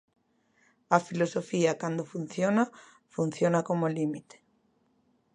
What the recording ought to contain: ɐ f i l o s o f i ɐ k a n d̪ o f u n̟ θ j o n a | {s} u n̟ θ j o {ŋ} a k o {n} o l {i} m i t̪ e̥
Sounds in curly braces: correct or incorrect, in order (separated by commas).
incorrect, incorrect, incorrect, correct